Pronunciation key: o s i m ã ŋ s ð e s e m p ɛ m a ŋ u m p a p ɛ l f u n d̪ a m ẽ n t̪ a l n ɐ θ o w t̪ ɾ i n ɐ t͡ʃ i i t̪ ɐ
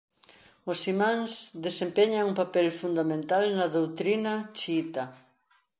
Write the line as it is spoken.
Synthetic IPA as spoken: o s i m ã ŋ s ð e s e m p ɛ ɲ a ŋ u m p a p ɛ l f u n d̪ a m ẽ n t̪ a l n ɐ ð o w t̪ ɾ i n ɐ t͡ʃ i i t̪ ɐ